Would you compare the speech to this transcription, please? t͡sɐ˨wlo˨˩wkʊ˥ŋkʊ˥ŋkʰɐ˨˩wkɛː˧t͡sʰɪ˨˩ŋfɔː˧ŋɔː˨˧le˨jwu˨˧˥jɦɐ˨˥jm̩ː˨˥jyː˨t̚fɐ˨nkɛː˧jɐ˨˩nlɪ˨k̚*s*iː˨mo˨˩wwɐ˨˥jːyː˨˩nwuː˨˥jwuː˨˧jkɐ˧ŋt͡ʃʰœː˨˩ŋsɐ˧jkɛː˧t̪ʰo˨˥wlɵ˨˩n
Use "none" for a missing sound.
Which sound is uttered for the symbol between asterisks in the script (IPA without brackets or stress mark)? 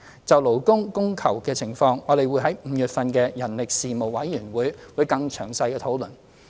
s